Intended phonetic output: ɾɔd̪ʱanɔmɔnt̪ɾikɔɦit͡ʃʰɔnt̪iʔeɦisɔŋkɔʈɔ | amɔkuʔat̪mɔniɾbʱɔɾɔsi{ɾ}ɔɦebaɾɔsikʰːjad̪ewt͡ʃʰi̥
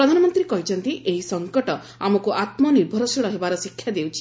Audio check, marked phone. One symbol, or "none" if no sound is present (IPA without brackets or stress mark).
ɭ